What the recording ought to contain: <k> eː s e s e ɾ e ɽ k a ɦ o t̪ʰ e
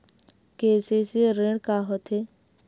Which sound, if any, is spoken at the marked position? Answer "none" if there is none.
k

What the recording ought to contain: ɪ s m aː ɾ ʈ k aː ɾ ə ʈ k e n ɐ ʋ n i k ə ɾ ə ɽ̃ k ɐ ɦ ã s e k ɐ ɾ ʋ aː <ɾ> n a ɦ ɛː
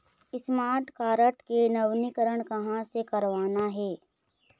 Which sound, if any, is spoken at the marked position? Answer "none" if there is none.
none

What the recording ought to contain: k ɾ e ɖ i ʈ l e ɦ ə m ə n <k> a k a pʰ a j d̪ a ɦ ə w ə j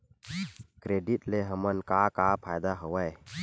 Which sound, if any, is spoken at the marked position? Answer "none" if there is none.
k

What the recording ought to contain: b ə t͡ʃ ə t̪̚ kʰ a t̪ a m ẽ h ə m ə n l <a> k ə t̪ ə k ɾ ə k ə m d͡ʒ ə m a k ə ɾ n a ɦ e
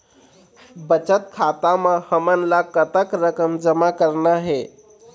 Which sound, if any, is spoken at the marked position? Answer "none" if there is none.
a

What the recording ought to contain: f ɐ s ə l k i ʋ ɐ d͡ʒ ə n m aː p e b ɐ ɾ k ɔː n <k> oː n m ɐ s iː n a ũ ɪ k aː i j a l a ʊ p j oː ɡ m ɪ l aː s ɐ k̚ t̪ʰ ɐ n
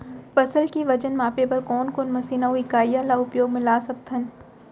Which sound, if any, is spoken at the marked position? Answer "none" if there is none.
k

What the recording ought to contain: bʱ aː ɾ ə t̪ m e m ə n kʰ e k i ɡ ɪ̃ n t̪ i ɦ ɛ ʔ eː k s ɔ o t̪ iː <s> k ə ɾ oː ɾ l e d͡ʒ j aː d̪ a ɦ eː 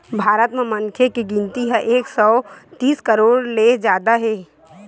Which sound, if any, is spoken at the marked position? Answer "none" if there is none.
s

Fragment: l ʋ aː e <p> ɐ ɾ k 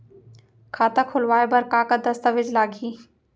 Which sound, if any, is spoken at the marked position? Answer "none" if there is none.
b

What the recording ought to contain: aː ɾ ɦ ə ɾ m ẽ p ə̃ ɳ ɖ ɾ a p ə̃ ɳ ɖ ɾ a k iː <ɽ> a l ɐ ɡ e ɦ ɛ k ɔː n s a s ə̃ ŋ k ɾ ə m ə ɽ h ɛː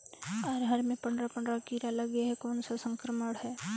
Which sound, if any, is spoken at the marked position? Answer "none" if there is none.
ɾ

